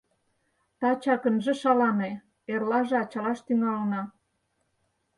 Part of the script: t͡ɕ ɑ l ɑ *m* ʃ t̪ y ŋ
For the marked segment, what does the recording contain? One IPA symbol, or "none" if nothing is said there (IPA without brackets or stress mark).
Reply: none